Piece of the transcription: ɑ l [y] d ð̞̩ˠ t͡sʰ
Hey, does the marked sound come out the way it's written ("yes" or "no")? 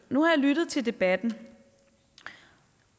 yes